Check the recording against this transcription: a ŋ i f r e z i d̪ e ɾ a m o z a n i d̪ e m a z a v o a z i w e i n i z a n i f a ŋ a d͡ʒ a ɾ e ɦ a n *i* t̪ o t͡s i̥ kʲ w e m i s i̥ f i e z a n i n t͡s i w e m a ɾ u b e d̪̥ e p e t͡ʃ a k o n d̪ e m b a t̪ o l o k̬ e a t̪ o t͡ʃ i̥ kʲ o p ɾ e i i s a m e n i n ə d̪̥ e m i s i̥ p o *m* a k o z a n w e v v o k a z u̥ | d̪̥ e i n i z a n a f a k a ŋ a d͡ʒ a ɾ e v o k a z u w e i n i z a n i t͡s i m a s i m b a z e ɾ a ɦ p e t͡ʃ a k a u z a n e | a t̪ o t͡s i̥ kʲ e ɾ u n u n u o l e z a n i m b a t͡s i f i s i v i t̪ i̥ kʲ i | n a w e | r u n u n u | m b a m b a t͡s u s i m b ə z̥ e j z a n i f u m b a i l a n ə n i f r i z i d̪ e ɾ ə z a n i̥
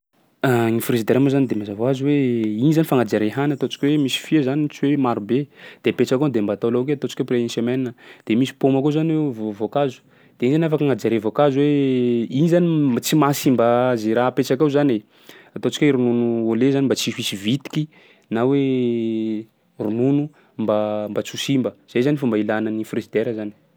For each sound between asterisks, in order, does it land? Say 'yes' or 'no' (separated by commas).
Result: no, yes